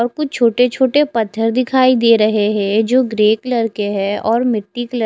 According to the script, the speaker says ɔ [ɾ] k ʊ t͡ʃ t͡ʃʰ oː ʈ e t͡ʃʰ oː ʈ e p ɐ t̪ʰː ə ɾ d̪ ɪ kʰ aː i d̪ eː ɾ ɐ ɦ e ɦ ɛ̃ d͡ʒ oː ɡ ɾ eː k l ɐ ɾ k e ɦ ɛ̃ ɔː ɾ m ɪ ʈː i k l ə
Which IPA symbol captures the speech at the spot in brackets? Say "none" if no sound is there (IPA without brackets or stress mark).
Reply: ɾ